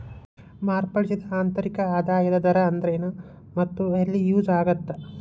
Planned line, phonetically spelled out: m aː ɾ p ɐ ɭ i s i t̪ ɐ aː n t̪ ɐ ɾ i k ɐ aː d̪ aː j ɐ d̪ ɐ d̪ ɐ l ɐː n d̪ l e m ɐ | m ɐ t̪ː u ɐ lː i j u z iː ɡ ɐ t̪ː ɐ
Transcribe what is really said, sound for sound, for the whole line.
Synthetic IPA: m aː ɾ p ɐ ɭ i s i d̪ ɐ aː n t̪ ɐ ɾ i k ɐ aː d̪ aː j ɐ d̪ ɐ d̪ ɐ ɾ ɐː n d̪ ɾ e n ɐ | m ɐ t̪ː u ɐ lː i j uː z aː ɡ ɐ t̪ː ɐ